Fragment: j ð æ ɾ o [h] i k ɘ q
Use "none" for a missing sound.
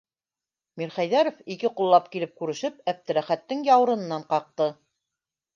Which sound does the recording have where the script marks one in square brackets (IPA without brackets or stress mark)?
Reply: f